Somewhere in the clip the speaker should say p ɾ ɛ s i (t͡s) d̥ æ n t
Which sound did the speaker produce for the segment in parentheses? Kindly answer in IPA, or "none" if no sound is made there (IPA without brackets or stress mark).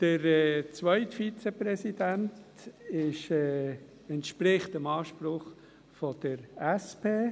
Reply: none